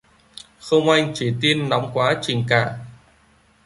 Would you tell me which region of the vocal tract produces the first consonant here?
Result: velum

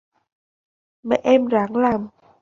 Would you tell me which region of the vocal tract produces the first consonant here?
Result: lips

